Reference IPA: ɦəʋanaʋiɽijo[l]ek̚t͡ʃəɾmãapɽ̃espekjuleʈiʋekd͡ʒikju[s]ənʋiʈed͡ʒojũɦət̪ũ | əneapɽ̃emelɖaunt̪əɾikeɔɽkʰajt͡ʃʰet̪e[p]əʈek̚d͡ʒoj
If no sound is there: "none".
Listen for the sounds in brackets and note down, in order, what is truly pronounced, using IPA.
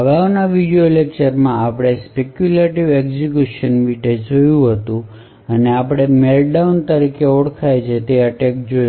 l, ʃ, none

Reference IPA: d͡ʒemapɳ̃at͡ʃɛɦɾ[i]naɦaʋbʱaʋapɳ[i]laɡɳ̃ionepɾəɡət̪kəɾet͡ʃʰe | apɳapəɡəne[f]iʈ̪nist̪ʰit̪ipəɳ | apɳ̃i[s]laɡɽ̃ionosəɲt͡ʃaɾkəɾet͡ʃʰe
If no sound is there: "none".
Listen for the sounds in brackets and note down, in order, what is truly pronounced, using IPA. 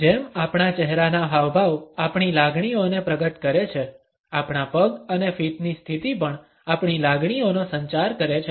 a, i, f, none

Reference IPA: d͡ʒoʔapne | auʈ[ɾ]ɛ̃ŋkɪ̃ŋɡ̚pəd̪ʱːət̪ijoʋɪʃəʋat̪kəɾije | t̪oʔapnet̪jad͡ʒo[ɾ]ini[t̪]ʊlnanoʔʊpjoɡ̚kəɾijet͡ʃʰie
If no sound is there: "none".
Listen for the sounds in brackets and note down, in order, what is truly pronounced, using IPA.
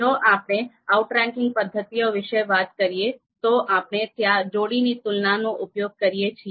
ɾ, ɽ, t̪

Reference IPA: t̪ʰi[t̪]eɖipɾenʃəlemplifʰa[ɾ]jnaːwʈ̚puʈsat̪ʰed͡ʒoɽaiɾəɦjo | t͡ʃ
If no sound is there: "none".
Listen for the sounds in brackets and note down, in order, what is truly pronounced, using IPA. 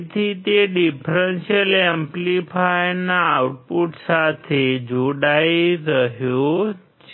t̪, none

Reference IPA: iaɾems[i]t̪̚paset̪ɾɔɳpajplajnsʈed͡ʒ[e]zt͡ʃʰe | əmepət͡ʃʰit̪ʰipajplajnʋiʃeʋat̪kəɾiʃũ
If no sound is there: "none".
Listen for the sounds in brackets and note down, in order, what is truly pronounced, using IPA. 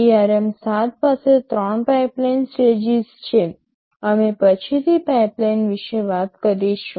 a, i

